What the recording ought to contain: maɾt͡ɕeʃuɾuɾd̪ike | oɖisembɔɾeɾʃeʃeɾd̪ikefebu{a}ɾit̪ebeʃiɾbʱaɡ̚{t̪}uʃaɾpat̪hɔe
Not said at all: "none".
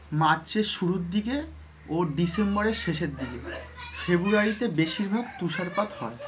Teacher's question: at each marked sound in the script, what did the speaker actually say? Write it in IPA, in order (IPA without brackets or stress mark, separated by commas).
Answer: a, t̪